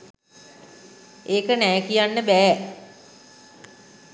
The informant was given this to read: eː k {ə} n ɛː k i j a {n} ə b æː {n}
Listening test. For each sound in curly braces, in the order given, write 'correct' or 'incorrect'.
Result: correct, incorrect: nː, incorrect: none

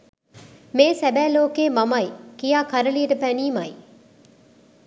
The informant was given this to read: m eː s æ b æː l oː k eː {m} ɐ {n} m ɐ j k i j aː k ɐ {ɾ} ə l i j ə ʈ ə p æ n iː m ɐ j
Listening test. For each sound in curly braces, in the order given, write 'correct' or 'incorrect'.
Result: correct, incorrect: none, correct

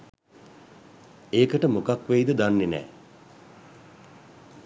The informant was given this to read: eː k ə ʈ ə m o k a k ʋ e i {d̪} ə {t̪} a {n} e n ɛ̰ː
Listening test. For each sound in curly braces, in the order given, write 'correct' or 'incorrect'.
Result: correct, incorrect: d̪, incorrect: nː

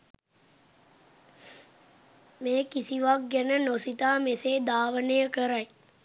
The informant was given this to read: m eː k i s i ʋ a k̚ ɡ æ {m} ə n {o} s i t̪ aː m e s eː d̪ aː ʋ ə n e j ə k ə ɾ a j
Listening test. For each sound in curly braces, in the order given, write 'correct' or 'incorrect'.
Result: incorrect: n, correct

